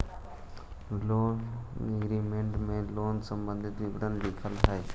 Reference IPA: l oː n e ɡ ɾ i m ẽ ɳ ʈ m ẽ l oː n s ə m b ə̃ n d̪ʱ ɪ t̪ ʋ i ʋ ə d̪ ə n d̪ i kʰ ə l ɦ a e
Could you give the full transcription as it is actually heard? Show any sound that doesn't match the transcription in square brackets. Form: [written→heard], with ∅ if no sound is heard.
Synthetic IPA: l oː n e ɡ ɾ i m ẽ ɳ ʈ m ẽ l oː n s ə m b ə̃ n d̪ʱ ɪ t̪ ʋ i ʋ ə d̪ ə n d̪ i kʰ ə l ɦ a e